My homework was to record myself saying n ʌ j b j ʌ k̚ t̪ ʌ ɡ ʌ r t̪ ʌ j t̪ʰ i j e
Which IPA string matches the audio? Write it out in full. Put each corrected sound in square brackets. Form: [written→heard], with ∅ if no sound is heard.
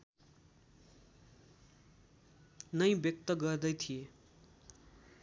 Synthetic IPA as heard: n ʌ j b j ʌ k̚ t̪ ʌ ɡ ʌ r [t̪→d̪] ʌ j t̪ʰ i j e